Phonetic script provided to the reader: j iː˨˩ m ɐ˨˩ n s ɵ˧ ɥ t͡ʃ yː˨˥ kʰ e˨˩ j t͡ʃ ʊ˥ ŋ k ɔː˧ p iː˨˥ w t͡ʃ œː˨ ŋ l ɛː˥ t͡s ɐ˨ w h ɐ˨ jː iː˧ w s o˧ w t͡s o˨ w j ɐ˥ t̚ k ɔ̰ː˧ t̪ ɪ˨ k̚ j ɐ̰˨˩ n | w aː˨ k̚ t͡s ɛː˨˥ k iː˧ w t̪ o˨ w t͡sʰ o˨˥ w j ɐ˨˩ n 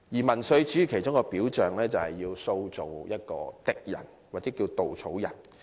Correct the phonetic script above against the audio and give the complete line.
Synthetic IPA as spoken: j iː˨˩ m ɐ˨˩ n s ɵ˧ ɥ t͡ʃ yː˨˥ kʰ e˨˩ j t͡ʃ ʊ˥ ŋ k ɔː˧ p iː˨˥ w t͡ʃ œː˨ ŋ l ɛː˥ t͡s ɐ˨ w h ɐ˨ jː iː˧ w s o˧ w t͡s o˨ w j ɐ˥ t̚ k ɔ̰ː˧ t̪ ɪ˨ k̚ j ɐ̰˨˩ n | w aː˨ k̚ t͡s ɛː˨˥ k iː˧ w t̪ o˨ w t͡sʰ o˨˥ w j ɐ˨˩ n